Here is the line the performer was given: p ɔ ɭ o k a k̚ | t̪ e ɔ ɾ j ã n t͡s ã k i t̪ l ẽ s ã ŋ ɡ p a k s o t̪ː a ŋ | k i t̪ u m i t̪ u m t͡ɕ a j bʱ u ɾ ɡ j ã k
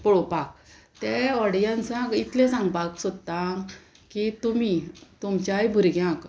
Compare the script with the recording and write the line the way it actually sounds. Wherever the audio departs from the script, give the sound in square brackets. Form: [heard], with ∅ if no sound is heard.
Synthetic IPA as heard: p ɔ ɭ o [p] a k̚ | t̪ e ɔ [ɽ] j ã n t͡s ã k i t̪ l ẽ s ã ŋ ɡ p a k s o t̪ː a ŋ | k i t̪ u m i t̪ u m t͡ɕ a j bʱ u ɾ ɡ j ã k